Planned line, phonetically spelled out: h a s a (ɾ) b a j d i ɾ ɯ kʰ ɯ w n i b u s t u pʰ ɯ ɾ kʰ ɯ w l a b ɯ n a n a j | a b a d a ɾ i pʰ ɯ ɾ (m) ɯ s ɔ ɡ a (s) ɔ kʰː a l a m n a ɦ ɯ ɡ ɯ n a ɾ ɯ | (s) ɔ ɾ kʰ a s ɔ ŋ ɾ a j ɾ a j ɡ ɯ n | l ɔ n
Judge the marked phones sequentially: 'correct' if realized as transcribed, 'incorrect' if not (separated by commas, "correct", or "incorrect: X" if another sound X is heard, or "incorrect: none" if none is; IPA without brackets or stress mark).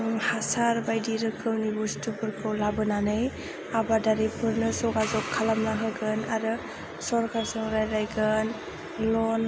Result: correct, incorrect: n, incorrect: z, correct